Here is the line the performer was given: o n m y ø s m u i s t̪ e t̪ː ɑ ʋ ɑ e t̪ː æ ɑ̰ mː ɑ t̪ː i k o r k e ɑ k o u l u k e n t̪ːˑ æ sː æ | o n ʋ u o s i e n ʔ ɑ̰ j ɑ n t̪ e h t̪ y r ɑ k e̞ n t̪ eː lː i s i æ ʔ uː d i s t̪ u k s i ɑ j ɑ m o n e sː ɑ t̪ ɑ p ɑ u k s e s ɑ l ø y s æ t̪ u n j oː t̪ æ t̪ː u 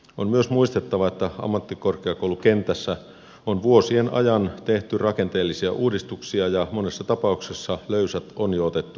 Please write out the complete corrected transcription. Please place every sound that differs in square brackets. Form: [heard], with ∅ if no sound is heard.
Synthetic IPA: o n m y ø s m u i s t̪ e t̪ː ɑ ʋ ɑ e t̪ː æ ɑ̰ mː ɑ t̪ː i k o r k e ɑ k o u l u k e n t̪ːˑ æ sː æ | o n ʋ u o s i e n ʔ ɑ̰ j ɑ n t̪ e h t̪ y r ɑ k e̞ n t̪ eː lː i s i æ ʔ uː d i s t̪ u k s i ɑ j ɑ m o n e sː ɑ t̪ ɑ p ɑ u k s e [sː] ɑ l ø y s æ t̪ [o] n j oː t̪ [e] t̪ː u

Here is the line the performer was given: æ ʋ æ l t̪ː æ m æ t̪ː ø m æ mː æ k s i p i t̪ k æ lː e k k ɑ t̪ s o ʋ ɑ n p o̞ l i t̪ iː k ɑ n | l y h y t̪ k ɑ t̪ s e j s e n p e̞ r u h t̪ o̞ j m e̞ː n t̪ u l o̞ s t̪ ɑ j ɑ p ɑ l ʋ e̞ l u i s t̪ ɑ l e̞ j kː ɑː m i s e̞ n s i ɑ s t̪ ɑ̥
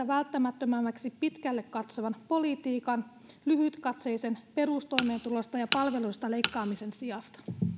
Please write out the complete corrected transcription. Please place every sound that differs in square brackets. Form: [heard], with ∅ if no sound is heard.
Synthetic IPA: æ ʋ æ l t̪ː æ m æ t̪ː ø m æ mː æ k s i p i t̪ k æ lː e k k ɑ t̪ s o ʋ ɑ n p o̞ l i t̪ iː k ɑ n | l y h y t̪ k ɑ t̪ s e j s e n p e̞ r u [s] t̪ o̞ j m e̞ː n t̪ u l o̞ s t̪ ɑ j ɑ p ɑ l ʋ e̞ l u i s t̪ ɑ l e̞ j kː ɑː m i s e̞ n s i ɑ s t̪ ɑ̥

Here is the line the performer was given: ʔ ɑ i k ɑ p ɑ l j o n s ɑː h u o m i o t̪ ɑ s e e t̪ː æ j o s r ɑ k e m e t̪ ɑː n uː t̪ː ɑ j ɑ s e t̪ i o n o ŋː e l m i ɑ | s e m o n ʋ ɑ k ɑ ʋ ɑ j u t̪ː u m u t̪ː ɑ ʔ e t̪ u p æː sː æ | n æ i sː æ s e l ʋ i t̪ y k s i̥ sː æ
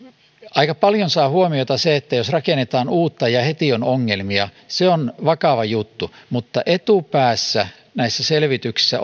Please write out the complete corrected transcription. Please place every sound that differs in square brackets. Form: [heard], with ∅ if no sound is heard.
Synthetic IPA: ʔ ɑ i k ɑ p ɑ l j o n s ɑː h u o m i o t̪ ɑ s e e t̪ː æ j o s r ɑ k e [n] e t̪ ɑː n uː t̪ː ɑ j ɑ [h] e t̪ i o n o ŋː e l m i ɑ | s e [∅] o n ʋ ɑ k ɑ ʋ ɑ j u t̪ː u m u t̪ː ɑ ʔ e t̪ u p æː sː æ | n æ i sː æ s e l ʋ i t̪ y k s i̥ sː æ

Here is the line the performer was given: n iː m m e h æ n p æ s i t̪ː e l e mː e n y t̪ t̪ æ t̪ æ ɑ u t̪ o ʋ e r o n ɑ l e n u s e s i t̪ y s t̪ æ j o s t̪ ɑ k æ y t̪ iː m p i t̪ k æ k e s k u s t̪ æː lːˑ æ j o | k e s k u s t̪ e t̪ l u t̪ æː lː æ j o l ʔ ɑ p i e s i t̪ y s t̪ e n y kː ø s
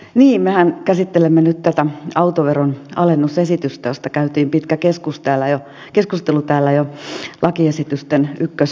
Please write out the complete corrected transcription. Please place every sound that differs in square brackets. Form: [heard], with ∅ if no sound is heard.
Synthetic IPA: n iː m m e h æ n [k] æ s i t̪ː e l e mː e n y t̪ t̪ æ t̪ æ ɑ u t̪ o ʋ e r o n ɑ l e [nː] u s e s i t̪ y s t̪ æ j o s t̪ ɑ k æ y t̪ iː m p i t̪ k æ k e s k u s t̪ æː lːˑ æ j o | k e s k u s t̪ e [∅] l u t̪ æː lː æ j o l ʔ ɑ [k] i e s i t̪ y s t̪ e n y kː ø s

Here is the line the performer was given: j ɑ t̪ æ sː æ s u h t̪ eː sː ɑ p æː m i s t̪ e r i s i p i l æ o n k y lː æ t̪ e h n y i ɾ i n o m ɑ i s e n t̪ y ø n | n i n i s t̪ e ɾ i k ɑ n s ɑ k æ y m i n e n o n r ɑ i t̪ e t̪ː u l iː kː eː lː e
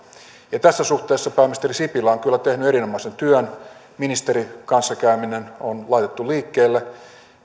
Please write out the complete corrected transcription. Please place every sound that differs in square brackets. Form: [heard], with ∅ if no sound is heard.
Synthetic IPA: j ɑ t̪ æ sː æ s u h t̪ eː sː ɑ p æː m i s t̪ e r i s i p i l æ o [ŋ] k y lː æ t̪ e h n y [e] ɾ i n o m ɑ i s e n t̪ y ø n | [m] i n i s t̪ e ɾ i k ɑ n [sː] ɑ k æ y m i n e n o n [l] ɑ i t̪ e t̪ː u l iː kː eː lː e

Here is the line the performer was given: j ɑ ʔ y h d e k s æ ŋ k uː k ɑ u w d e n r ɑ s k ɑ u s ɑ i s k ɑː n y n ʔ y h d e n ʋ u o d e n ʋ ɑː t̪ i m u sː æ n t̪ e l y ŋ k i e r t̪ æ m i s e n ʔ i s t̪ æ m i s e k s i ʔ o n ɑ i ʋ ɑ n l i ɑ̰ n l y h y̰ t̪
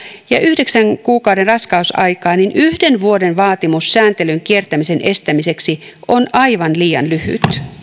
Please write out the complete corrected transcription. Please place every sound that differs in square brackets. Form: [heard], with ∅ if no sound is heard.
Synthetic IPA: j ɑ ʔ y h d e k s æ ŋ k uː k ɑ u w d e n r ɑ s k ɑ u s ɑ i [∅] k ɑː n [i] n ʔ y h d e n ʋ u o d e n ʋ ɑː t̪ i m u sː [æː] n t̪ e l y ŋ k i e r t̪ æ m i s e n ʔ [e] s t̪ æ m i s e k s i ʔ o n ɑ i ʋ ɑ n l [iː] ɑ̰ n l y h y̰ t̪

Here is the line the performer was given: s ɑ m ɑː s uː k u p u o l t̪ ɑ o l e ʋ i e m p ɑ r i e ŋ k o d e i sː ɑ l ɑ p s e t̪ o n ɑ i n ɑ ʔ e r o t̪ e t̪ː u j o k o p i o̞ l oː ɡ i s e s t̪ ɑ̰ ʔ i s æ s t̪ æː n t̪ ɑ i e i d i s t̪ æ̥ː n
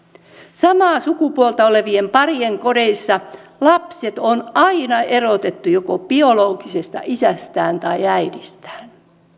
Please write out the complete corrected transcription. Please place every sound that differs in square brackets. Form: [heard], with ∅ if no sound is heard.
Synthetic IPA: s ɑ m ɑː s [u] k u p u o l t̪ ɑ o l e ʋ i e m p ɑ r i e ŋ k o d e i sː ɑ l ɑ p s e t̪ o n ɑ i n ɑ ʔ e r o t̪ e t̪ː u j o k o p i o̞ l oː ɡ i s e s t̪ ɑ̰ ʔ i s æ s t̪ æː n t̪ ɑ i [æ] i d i s t̪ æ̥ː n

